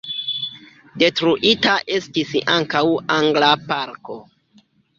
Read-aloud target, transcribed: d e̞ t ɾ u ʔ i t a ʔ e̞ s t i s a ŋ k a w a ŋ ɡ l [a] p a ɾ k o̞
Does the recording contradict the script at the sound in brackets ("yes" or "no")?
no